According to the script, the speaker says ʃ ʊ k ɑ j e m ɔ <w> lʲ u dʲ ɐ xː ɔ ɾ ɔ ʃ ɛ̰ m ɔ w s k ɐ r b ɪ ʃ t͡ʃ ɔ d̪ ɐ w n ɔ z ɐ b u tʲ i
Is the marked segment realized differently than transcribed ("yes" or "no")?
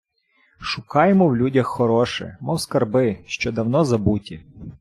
no